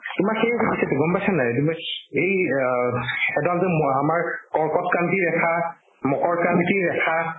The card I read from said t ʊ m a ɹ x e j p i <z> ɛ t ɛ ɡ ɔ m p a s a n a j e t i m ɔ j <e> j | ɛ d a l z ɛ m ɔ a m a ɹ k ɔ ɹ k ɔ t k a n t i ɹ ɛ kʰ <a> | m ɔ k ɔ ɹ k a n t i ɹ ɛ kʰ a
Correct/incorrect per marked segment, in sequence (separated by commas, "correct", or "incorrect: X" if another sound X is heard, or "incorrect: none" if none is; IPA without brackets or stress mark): incorrect: s, correct, correct